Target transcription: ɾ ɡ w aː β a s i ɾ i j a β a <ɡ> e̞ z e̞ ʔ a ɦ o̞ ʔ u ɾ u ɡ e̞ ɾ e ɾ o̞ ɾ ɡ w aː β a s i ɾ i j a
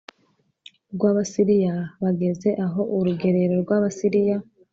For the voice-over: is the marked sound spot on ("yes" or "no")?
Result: yes